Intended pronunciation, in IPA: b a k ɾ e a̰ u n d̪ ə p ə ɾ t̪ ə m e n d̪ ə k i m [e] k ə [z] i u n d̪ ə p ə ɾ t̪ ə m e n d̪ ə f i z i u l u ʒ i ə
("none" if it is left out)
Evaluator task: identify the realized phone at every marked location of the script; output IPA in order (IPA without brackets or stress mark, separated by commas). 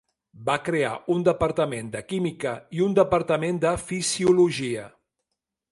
i, none